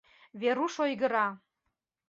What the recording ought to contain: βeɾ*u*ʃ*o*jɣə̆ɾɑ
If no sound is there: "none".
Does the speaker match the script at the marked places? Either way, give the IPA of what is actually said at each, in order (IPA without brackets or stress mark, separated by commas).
u, o